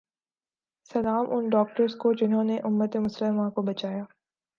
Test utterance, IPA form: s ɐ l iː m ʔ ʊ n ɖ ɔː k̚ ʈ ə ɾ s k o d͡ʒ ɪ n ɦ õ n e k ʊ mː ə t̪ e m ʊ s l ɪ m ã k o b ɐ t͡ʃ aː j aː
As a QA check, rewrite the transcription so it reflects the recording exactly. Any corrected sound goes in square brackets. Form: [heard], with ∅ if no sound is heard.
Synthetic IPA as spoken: s ɐ l [aː] m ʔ ʊ n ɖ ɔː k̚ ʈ ə ɾ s k o d͡ʒ ɪ n ɦ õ n e [ʔ] ʊ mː ə t̪ e m ʊ s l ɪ m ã k o b ɐ t͡ʃ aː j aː